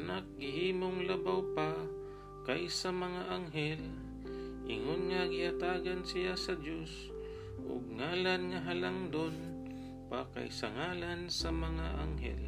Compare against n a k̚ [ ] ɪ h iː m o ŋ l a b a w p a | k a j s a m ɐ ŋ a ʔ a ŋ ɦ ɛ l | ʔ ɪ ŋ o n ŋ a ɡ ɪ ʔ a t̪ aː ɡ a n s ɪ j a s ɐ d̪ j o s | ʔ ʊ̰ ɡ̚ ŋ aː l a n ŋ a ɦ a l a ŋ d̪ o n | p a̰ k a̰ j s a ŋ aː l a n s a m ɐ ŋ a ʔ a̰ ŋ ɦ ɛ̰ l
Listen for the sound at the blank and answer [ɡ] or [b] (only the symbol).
ɡ